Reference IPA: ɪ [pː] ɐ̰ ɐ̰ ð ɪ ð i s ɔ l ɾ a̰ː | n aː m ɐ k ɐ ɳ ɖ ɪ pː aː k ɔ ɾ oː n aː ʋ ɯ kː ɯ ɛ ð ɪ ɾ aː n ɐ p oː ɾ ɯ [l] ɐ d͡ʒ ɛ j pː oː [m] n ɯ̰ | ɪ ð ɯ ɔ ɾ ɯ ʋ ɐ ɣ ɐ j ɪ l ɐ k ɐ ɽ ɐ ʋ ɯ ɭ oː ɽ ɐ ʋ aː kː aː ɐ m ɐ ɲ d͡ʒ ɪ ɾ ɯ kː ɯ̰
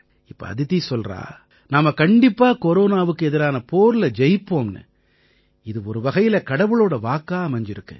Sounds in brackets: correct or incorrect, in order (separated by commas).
correct, correct, correct